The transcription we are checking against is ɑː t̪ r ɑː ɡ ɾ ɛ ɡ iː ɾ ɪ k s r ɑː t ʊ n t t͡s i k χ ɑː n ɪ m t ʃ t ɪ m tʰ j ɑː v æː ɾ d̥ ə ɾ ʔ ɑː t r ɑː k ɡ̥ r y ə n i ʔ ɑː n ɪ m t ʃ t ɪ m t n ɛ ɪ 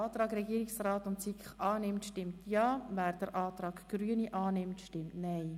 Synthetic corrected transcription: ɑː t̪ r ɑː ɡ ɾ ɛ ɡ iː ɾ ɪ k s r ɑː t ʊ n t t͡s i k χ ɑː n ɪ m t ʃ t ɪ m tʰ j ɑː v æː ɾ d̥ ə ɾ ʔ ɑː t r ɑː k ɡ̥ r y ə n i ʔ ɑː n ɪ m t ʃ t ɪ m t n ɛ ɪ

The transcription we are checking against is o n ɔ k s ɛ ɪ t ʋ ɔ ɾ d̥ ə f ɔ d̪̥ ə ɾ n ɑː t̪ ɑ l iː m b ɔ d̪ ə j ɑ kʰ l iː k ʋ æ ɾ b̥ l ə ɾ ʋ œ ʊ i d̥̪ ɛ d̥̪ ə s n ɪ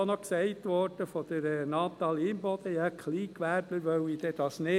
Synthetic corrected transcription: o n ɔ k s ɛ ɪ t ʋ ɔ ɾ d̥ ə f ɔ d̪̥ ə ɾ n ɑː t̪ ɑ l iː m b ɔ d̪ ə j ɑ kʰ l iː k ʋ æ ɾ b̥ l ə ɾ ʋ œ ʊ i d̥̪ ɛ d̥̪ ɑ s n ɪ

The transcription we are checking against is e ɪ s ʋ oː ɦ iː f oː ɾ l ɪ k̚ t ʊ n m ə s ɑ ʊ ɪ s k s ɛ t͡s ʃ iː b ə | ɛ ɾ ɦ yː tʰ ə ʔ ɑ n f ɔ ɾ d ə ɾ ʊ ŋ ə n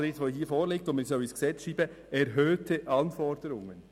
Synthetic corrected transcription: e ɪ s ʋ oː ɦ iː f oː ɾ l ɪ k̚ t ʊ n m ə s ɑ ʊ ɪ s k s ɛ t͡s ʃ iː b ə | ɛ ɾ ɦ øː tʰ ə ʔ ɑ n f ɔ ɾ d ə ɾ ʊ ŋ ə n

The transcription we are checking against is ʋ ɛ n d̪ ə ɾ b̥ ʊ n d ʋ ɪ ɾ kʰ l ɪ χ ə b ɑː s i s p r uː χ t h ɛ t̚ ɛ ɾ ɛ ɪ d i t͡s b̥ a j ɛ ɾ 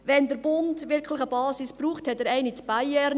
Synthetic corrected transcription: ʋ ɛ n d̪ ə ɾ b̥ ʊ n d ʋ ɪ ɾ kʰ l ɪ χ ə b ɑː s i s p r uː χ t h ɛ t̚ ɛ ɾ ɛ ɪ n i t͡s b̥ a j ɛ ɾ

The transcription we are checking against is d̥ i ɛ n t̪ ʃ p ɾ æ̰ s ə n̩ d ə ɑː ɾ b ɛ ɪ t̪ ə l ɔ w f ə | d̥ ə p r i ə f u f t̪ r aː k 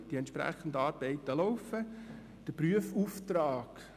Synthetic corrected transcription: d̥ i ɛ n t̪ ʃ p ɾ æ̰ χ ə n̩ d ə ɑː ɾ b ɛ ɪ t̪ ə l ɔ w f ə | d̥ ə p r y ə f u f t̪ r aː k

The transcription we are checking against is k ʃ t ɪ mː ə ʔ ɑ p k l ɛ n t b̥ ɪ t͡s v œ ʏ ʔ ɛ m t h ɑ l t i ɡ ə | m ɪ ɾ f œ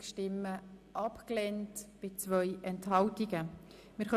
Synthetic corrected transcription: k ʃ t ɪ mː ə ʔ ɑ p k l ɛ n t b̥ ɪ t͡s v œ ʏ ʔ ɛ n t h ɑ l t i ɡ ə | m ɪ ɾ χ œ

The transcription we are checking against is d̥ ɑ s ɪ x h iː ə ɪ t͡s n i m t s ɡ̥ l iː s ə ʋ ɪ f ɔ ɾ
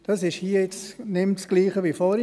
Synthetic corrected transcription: d̥ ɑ s ɪ ʃ h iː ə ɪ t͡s n ɪ m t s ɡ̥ l iː χ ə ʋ i f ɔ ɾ

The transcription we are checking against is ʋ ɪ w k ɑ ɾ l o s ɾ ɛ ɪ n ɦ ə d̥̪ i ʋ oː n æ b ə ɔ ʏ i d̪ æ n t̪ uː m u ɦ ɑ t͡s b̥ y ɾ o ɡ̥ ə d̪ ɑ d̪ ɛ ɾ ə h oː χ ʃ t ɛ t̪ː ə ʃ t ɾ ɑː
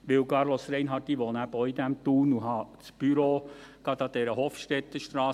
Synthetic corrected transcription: ʋ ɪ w k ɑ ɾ l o s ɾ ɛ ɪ n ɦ ɑ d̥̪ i ʋ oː n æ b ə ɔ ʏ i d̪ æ m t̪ uː n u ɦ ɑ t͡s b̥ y ɾ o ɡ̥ ɑ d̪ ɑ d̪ ɛ ɾ ə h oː f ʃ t ɛ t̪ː ə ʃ t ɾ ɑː

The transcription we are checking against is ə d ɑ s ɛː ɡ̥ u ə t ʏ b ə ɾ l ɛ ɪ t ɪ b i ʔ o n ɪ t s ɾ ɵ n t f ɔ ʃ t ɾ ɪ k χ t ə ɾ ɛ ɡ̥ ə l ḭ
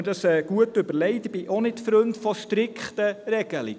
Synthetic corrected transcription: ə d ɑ s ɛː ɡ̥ u ə t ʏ b ə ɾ l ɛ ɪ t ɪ b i ʔ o n ɪ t f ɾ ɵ n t f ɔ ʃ t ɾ ɪ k χ t ə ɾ ɛ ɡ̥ ə l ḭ

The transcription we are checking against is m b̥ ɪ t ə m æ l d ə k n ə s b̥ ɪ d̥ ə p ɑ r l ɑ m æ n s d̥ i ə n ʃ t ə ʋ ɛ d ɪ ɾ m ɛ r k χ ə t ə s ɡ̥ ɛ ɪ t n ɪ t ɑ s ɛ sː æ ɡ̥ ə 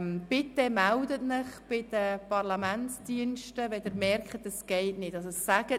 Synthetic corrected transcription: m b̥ ɪ t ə m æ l d ə t n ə χ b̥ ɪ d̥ ə p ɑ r l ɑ m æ n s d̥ i ə n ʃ t ə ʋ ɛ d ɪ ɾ m ɛ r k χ ə t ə s ɡ̥ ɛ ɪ t n ɪ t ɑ s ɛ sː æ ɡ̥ ə

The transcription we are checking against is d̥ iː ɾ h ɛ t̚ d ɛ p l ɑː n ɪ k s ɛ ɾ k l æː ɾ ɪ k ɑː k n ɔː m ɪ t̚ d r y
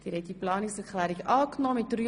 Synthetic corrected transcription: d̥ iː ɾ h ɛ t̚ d i p l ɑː n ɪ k s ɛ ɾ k l æː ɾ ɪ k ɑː k n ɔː m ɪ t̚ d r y

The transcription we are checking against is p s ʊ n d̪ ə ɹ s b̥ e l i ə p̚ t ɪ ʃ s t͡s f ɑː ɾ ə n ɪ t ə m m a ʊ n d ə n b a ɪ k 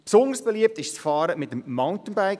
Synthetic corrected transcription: p s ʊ n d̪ ə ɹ s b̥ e l i ə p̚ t ɪ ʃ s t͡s f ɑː ɾ ə m ɪ t ə m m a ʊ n t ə n b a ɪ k

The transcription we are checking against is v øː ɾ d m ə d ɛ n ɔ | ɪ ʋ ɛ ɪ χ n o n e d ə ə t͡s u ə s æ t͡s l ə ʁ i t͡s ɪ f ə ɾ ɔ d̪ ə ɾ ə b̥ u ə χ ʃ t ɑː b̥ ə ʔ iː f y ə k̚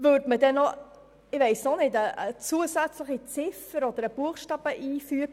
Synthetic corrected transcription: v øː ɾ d m ə d ɛ n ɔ | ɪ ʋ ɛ ɪ s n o n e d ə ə t͡s u ə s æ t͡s l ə χ i t͡s ɪ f ə ɾ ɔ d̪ ə ɾ ə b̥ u ə χ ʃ t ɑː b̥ ə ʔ iː f y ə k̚

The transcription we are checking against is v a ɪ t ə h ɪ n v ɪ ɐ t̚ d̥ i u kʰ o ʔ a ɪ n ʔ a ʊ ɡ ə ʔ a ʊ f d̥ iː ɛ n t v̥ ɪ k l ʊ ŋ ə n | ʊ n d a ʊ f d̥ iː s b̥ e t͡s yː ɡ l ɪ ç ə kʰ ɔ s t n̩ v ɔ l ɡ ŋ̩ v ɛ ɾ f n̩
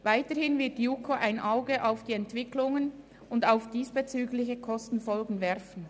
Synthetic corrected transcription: v a ɪ t ə h ɪ n v ɪ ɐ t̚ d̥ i u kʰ o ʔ a ɪ n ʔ a ʊ ɡ ə ʔ a ʊ f d̥ iː ɛ n t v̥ ɪ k l ʊ ŋ ə n | ʊ n d a ʊ f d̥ iː s b̥ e t͡s yː ɡ l ɪ ç ə kʰ ɔ s t n̩ f ɔ l ɡ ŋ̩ v ɛ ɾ f n̩

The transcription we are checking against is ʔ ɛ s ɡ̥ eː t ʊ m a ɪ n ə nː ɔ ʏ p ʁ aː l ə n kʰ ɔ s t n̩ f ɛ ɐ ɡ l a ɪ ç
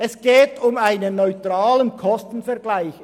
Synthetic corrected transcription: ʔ ɛ s ɡ̥ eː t ʊ m a ɪ n ə nː ɔ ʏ t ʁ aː l ə n kʰ ɔ s t n̩ f ɛ ɐ ɡ l a ɪ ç

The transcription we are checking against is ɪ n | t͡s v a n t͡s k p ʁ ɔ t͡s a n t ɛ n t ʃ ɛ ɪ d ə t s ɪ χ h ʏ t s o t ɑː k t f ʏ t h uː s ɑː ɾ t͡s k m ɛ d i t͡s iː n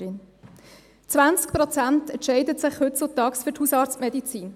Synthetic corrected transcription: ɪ n | t͡s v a n t͡s k p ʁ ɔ t͡s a n t ɛ n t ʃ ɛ ɪ d ə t s ɪ χ h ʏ t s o t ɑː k s f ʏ t h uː s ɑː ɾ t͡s t m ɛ d i t͡s iː n

